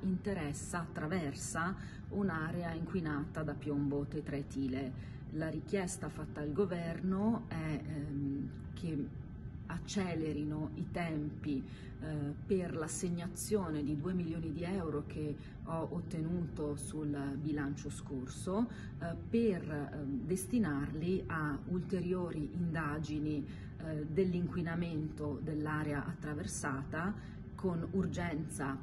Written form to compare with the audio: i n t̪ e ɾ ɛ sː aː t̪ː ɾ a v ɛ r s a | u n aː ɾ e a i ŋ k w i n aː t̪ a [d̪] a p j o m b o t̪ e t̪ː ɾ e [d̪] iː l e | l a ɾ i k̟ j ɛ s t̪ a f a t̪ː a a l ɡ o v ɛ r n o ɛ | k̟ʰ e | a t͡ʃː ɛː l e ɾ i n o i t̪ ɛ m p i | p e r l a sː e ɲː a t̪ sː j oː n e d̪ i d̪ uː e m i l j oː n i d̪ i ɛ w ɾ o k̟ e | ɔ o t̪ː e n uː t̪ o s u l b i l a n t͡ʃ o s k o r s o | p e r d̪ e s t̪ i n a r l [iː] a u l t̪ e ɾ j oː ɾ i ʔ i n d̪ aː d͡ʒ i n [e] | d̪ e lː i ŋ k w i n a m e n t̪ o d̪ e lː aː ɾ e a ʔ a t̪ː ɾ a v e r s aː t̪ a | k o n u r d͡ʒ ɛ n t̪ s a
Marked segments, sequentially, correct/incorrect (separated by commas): correct, incorrect, incorrect, incorrect